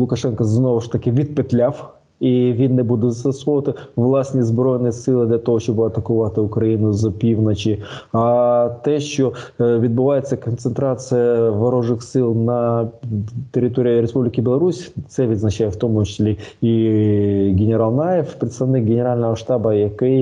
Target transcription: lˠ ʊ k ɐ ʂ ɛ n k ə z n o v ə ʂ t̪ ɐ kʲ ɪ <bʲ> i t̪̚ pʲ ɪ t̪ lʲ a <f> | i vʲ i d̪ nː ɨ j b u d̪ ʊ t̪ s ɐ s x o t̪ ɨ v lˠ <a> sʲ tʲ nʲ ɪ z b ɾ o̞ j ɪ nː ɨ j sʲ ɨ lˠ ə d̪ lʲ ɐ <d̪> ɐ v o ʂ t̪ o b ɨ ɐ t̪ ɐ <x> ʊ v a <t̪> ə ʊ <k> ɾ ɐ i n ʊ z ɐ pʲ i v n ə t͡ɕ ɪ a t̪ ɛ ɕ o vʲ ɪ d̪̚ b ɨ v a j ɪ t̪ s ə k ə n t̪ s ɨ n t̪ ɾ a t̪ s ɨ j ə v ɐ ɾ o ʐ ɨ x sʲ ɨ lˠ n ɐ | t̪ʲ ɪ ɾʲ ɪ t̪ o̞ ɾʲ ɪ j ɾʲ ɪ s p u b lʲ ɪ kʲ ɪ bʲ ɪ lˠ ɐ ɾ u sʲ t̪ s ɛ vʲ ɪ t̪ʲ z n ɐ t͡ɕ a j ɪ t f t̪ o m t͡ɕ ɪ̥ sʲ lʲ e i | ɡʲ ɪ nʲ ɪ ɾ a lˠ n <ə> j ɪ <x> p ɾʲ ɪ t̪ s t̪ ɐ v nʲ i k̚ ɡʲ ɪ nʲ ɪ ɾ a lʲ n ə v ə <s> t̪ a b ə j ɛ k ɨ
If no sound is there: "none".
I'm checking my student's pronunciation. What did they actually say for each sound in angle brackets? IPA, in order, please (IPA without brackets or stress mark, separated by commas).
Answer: vʲ, f, a, t̪, k, t̪, k, a, f, ʂ